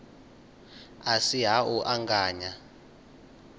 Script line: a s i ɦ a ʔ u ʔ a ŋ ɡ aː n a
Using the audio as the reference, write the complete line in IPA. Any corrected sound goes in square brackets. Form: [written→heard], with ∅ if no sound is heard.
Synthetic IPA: a s i ɦ a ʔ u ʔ a ŋ ɡ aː [n→ɲ] a

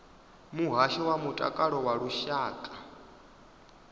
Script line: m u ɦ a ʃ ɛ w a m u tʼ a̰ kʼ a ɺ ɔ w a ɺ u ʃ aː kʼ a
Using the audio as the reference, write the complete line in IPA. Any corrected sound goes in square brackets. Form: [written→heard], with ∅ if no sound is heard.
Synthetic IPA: m u ɦ a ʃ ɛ w a m u tʼ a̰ kʼ a ɺ ɔ w a ɺ u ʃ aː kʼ a

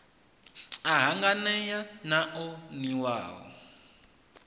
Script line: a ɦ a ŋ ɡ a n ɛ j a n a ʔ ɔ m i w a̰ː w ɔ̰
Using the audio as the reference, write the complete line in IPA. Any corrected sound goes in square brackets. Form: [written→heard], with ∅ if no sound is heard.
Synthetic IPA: a ɦ a ŋ ɡ a n ɛ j a n a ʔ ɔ [m→n] i w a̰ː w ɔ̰

